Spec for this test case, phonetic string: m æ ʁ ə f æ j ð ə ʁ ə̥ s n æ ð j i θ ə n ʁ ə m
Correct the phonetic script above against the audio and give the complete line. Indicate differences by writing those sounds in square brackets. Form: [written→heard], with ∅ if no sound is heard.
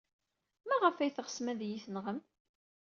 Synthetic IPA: m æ ʁ ə f æ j [ð→θ] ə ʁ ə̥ s [n→m] æ ð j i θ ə n ʁ ə m